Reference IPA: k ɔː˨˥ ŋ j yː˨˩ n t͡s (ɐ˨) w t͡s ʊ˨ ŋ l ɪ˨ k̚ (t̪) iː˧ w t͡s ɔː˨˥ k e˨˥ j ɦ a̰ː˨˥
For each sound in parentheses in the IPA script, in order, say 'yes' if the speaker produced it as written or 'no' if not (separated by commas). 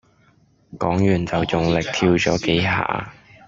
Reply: yes, no